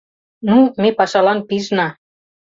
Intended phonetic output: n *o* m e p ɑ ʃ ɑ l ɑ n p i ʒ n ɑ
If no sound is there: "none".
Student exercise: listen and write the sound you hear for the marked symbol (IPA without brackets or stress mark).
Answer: u